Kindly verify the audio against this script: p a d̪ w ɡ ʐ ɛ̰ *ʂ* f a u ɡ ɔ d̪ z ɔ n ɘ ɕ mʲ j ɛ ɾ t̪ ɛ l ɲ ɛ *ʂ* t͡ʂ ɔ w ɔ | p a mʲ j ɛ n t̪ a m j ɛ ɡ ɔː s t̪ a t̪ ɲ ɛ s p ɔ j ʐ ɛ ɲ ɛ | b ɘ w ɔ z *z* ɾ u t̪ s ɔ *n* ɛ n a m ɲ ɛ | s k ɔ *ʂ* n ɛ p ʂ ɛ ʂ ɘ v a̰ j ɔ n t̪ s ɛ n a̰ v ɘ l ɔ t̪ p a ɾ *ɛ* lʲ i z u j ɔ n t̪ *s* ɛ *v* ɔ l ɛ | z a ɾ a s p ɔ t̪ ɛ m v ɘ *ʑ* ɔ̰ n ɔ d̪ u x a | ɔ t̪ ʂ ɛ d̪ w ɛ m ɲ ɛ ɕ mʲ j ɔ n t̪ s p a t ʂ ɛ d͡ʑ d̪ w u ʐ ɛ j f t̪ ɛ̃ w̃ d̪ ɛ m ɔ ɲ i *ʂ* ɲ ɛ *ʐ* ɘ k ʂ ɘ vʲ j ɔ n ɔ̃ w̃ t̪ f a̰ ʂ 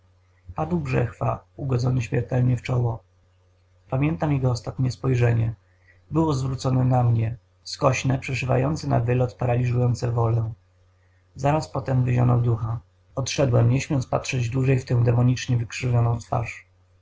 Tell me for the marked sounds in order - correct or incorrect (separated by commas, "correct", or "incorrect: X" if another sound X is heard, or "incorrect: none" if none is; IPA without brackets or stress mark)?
incorrect: x, incorrect: f, incorrect: v, correct, incorrect: ɕ, incorrect: a, correct, correct, correct, incorrect: t͡ʂ, incorrect: v